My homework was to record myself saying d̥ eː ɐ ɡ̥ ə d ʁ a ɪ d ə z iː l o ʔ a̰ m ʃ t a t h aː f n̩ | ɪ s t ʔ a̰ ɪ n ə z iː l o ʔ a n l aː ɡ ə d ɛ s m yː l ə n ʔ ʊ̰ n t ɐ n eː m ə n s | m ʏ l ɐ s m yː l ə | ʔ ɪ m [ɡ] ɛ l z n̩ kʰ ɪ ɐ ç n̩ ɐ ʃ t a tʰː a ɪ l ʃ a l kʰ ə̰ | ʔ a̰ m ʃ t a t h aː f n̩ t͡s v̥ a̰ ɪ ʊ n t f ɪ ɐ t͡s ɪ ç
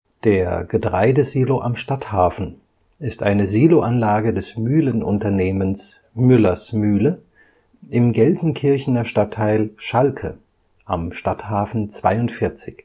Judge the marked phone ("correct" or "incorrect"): correct